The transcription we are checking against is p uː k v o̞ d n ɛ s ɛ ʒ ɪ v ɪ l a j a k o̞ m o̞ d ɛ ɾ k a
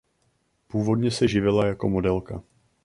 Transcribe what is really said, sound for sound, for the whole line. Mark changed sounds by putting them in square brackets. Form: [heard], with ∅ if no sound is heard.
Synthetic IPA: p uː [∅] v o̞ d [ɲ] ɛ s ɛ ʒ ɪ v ɪ l a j a k o̞ m o̞ d ɛ [l] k a